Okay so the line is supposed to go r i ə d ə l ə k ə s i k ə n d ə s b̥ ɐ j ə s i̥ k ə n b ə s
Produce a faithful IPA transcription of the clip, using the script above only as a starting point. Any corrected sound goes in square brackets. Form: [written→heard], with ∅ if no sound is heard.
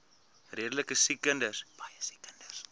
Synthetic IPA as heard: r i ə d ə l ə k ə s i k ə n d ə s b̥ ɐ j ə s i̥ k ə n [b→d] ə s